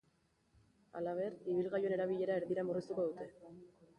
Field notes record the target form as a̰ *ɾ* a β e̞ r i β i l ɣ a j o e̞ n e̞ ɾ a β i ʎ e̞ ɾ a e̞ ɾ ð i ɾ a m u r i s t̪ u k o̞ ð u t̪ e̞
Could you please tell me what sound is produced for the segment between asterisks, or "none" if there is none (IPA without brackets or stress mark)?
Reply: l